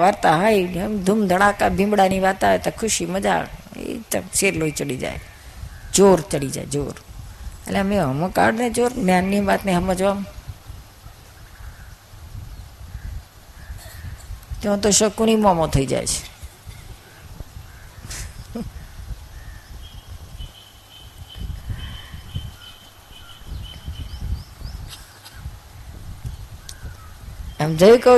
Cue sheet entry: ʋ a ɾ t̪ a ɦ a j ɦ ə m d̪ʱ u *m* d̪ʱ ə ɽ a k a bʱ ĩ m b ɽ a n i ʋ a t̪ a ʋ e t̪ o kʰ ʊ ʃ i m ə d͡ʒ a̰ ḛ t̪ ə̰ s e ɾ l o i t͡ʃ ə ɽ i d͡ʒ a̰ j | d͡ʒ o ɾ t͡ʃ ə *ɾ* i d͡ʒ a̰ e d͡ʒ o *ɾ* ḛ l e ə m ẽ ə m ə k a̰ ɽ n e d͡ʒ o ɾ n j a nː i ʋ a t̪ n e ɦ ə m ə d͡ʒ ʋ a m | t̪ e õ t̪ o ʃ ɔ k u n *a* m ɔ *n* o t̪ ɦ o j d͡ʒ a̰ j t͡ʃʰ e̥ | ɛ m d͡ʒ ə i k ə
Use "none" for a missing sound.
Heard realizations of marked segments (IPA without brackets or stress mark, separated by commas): m, ɽ, ɾ, i, m